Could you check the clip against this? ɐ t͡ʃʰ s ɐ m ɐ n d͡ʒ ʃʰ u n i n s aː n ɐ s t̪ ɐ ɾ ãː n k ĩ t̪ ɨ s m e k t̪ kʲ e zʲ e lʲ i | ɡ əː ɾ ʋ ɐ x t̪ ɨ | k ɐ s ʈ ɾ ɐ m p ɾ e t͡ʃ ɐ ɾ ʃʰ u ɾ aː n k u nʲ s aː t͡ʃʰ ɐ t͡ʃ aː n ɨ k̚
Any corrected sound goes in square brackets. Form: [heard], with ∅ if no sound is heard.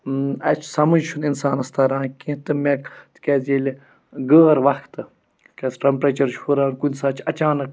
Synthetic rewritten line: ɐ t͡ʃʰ s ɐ m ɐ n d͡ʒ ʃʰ u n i n s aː n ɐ s t̪ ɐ ɾ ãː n k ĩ t̪ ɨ [∅] m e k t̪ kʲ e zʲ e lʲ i | ɡ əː ɾ ʋ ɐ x t̪ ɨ | k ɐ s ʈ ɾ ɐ m p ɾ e t͡ʃ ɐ ɾ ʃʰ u ɾ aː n k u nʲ s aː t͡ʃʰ ɐ t͡ʃ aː n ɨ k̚